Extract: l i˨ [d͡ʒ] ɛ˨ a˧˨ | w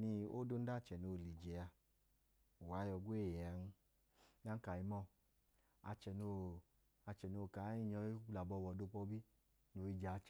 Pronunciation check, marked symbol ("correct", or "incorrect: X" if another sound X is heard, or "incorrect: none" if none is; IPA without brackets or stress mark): correct